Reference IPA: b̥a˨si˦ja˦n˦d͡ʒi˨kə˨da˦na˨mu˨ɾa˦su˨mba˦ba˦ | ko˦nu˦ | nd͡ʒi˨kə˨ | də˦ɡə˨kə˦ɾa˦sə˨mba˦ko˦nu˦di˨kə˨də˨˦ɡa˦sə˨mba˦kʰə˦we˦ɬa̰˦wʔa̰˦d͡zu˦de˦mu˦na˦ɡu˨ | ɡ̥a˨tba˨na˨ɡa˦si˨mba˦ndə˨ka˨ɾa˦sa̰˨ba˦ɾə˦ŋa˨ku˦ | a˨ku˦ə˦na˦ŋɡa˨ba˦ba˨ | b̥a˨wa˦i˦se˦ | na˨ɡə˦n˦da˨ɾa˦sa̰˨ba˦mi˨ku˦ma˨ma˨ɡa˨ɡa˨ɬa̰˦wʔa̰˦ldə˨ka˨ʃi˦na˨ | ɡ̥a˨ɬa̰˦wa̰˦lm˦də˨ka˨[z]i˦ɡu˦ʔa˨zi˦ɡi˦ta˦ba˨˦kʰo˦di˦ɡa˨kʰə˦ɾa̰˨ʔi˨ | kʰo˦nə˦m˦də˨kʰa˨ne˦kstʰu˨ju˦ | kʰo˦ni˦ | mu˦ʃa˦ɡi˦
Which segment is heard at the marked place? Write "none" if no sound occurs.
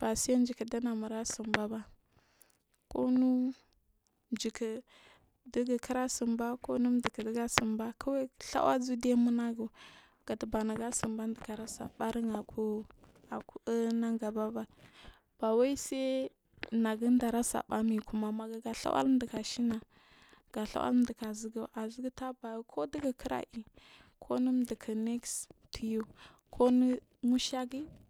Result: z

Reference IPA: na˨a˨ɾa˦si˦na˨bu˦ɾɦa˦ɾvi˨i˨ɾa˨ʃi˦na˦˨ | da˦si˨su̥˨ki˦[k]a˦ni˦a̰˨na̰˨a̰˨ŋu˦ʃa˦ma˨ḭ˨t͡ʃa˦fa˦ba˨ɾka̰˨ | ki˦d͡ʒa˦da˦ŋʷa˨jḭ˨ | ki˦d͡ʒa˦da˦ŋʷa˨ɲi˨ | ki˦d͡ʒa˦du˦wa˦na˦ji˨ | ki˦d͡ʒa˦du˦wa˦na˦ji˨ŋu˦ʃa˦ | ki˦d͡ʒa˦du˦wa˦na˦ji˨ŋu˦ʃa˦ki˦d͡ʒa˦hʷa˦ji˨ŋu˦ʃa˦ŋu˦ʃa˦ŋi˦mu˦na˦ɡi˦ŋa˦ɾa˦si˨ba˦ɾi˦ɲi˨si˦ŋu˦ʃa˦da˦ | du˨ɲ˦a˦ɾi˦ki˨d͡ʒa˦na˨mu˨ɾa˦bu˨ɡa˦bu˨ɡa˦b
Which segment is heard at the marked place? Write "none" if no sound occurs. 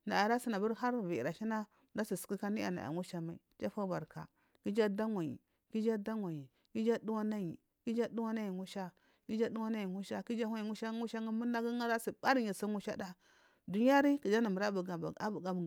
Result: k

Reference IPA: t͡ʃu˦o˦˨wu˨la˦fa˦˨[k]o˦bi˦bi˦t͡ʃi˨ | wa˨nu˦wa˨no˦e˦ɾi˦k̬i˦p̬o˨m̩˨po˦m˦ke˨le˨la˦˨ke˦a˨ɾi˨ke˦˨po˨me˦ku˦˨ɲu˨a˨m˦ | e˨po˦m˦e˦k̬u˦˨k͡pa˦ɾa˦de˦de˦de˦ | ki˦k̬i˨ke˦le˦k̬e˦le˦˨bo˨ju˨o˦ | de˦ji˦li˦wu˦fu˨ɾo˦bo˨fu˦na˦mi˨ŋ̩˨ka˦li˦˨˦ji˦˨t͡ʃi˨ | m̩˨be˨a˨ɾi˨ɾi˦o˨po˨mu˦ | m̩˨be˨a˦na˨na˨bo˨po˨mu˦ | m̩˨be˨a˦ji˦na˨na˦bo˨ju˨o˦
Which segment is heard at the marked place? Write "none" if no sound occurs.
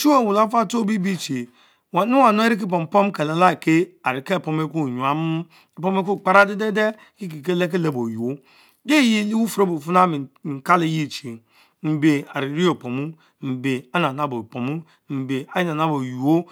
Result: t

